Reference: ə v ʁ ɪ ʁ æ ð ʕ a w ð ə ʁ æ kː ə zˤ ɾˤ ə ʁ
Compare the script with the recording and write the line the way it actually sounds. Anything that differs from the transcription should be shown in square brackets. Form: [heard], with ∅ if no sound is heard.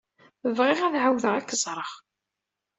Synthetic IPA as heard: ə v ʁ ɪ ʁ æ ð ʕ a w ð ə ʁ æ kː ə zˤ ɾˤ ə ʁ